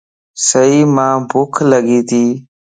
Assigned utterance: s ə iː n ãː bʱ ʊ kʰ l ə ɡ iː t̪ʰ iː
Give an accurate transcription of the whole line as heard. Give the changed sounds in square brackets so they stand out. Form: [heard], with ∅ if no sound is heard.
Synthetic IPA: s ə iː [m] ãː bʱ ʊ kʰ l ə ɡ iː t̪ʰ iː